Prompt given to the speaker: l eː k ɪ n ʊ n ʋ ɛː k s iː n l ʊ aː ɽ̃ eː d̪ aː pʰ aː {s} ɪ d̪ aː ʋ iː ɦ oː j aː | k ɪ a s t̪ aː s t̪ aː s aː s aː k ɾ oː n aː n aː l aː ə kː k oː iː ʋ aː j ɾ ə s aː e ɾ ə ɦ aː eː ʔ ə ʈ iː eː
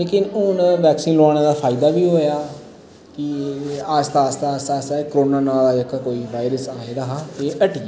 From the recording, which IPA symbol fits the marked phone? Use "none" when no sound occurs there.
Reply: none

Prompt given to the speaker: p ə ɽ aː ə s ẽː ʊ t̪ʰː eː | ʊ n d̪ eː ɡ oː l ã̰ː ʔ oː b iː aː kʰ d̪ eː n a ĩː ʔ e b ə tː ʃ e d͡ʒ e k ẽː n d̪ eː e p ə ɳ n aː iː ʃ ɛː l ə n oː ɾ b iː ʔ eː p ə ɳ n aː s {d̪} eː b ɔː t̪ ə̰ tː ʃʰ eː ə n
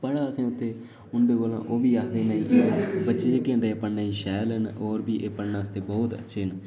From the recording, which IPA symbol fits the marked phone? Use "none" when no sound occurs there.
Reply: t̪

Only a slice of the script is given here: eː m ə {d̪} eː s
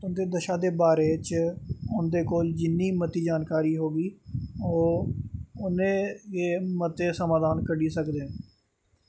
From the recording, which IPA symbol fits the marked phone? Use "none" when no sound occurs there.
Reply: t̪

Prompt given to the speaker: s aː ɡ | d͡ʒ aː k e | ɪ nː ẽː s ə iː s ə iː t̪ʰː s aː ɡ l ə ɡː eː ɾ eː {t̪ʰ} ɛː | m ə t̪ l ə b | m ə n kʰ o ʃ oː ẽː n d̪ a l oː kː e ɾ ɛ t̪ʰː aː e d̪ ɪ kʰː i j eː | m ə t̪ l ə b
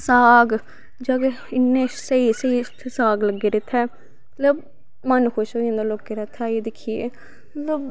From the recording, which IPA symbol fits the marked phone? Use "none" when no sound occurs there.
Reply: t̪ʰ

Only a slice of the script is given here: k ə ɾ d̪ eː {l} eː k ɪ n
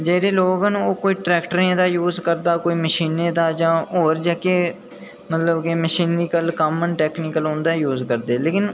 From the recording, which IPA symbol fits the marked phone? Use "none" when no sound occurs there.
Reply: l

